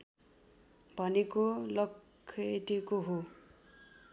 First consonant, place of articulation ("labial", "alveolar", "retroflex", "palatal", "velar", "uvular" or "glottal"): labial